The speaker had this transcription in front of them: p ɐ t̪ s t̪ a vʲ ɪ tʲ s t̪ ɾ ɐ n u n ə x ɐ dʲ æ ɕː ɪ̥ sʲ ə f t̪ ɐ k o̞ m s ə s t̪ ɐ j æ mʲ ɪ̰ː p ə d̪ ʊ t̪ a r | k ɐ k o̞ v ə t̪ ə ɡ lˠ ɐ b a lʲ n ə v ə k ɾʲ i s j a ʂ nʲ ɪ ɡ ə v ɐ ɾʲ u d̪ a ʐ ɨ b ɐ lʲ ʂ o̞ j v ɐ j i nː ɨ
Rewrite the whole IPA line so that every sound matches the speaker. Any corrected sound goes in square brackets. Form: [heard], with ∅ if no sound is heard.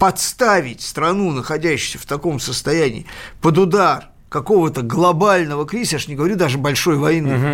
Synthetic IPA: p ɐ t̪ s t̪ a vʲ ɪ tʲ s t̪ ɾ ɐ n u n ə x ɐ dʲ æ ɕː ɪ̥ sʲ ə f t̪ ɐ k o̞ m s ə s t̪ ɐ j æ [nʲ] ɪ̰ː p ə d̪ ʊ [d̪] a r | k ɐ k o̞ v ə t̪ ə ɡ lˠ ɐ b a lʲ n ə v ə k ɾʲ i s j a ʂ nʲ ɪ ɡ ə v ɐ ɾʲ u d̪ a ʐ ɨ b ɐ lʲ ʂ o̞ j v ɐ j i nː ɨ